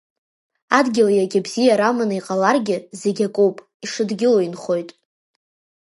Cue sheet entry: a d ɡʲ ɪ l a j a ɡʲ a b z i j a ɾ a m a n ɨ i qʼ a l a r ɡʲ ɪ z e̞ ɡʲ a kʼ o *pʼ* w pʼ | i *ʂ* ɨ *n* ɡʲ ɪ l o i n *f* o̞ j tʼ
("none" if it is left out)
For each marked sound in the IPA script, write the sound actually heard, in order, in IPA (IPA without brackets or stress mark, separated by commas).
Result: none, ʂ, d, χ